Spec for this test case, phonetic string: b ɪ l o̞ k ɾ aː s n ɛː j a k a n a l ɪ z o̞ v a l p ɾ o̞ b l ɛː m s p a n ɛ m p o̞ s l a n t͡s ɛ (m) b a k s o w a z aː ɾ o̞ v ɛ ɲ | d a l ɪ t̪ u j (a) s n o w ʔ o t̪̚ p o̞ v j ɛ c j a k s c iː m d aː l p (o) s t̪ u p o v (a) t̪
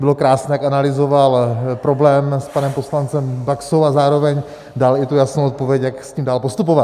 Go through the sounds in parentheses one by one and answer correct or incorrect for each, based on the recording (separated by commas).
correct, correct, correct, correct